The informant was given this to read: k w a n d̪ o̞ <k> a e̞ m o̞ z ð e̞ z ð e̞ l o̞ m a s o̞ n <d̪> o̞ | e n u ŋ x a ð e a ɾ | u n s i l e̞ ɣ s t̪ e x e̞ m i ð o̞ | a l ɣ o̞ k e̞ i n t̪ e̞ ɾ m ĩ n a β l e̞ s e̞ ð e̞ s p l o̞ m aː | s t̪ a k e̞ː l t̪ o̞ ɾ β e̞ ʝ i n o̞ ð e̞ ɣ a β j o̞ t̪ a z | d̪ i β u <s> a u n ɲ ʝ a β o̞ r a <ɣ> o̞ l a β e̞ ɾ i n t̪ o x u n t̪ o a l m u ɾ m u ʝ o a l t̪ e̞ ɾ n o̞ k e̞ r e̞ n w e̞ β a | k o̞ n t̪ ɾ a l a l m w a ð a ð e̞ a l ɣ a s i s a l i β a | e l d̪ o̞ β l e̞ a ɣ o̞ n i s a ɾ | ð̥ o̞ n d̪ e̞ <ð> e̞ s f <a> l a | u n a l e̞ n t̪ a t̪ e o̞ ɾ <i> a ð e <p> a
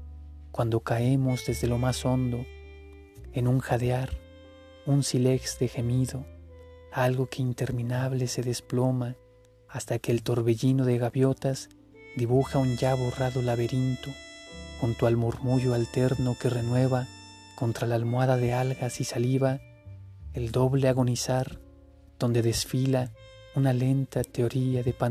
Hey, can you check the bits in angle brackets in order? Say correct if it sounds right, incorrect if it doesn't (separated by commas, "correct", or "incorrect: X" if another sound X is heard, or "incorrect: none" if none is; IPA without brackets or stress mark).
correct, correct, incorrect: x, incorrect: ð, correct, incorrect: i, correct, correct